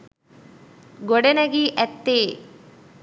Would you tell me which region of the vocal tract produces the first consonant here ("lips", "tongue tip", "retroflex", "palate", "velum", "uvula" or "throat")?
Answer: velum